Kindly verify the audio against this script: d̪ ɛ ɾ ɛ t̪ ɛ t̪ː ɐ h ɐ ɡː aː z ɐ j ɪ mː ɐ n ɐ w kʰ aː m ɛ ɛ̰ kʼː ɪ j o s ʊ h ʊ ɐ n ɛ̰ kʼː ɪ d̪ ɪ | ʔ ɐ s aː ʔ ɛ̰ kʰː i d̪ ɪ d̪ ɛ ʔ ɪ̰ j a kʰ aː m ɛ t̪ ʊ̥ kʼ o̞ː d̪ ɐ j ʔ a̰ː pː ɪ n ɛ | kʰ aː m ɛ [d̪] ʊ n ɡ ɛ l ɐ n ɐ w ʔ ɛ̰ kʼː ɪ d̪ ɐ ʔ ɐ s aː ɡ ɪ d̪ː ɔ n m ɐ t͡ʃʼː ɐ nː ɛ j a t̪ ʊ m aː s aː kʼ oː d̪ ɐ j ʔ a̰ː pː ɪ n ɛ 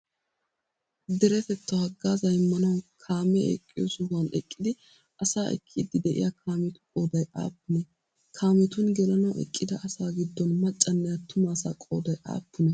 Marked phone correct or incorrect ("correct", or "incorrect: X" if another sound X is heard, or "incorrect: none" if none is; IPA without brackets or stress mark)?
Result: incorrect: t̪